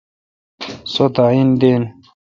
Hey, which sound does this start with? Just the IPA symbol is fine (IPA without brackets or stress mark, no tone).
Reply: s